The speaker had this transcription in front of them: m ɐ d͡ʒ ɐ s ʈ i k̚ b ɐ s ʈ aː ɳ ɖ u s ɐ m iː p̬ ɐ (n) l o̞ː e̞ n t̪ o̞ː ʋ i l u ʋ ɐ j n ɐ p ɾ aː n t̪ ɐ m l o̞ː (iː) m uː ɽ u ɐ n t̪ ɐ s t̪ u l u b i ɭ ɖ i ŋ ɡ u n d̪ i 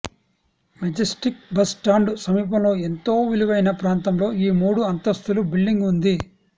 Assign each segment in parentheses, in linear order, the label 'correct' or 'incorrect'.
incorrect: m, correct

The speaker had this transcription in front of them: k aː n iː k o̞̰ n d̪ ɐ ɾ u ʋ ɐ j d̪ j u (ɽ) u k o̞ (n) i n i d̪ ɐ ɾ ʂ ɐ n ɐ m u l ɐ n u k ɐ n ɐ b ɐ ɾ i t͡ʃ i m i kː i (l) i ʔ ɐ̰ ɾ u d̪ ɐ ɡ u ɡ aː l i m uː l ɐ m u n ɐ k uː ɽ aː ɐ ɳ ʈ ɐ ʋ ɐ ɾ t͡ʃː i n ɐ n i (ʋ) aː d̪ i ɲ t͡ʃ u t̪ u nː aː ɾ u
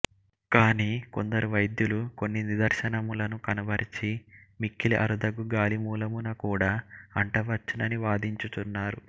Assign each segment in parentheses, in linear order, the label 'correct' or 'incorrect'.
incorrect: l, incorrect: nː, correct, correct

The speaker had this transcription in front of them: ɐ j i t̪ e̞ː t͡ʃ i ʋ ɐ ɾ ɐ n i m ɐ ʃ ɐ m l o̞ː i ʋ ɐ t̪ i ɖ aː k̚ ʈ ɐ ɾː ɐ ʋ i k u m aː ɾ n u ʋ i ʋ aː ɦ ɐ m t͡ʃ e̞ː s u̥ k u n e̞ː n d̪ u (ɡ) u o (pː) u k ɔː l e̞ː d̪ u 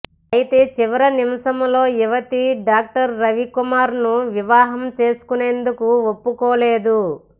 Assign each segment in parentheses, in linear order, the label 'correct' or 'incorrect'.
incorrect: k, correct

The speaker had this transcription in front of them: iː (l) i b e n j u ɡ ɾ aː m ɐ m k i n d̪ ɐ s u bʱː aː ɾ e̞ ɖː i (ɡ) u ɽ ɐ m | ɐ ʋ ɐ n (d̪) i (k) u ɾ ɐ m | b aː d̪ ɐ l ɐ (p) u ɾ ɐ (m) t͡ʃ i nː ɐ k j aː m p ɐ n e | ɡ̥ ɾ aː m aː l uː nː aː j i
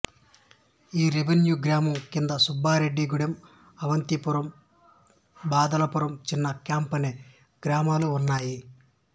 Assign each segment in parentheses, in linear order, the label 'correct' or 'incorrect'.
incorrect: ɾ, correct, incorrect: t̪, incorrect: p, correct, correct

